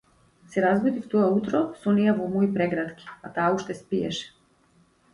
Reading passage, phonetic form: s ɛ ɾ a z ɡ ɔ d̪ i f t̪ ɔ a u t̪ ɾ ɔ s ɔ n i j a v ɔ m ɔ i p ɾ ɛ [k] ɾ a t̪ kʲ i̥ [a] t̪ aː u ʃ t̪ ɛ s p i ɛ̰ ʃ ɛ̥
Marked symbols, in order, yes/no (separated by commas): no, yes